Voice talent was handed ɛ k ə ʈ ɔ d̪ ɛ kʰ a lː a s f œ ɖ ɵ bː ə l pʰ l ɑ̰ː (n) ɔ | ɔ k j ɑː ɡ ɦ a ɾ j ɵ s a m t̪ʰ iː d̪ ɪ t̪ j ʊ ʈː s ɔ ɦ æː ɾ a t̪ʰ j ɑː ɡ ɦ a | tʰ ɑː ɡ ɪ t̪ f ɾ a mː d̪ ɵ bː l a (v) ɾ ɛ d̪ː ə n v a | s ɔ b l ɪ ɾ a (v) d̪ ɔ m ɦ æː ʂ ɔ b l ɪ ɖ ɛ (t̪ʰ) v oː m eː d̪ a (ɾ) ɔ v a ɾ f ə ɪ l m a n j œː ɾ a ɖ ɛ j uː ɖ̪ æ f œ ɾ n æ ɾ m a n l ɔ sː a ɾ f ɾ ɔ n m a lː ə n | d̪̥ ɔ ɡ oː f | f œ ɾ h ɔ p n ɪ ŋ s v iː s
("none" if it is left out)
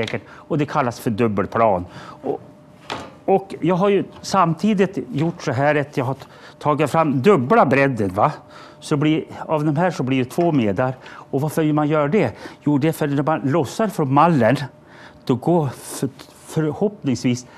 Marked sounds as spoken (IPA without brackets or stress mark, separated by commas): n, b, v, t̪ʰ, ɾ